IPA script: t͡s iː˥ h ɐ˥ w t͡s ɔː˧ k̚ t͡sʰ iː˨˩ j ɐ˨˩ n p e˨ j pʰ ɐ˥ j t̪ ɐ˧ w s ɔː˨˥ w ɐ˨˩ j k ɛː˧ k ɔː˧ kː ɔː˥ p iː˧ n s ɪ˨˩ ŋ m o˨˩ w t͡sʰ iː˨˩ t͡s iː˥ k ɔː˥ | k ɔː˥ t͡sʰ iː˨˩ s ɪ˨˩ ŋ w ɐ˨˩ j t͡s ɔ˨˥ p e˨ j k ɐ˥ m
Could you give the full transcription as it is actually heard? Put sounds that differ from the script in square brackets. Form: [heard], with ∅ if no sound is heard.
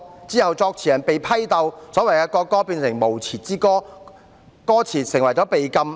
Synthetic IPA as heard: t͡s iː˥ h [ɐ˨] w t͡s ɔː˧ k̚ t͡sʰ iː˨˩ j ɐ˨˩ n p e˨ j pʰ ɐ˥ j t̪ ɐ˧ w s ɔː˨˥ w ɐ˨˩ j k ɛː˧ k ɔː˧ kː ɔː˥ p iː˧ n s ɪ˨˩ ŋ m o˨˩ w t͡sʰ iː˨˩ t͡s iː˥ k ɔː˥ | k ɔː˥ t͡sʰ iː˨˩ s ɪ˨˩ ŋ w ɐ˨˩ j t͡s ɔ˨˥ p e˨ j k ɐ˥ m